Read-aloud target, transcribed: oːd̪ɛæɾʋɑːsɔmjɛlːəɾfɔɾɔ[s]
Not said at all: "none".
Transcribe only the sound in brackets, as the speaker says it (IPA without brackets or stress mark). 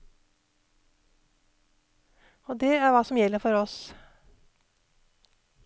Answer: s